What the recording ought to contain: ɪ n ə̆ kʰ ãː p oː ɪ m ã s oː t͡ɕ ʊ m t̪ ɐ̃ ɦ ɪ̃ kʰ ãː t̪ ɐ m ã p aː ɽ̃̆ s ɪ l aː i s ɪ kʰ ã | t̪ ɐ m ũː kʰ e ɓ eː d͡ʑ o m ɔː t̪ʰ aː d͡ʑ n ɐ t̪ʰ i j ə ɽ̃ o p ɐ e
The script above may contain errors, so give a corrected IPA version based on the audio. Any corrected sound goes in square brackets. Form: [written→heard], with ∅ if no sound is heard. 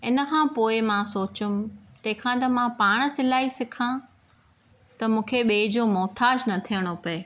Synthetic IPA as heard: ɪ n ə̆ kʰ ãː p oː ɪ m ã s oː t͡ɕ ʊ m t̪ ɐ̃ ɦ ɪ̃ kʰ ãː t̪ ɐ m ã p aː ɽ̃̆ s ɪ l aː i s ɪ kʰ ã | t̪ ɐ m ũː kʰ e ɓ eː d͡ʑ o m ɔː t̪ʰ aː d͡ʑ n ɐ t̪ʰ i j ə ɽ̃ o p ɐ e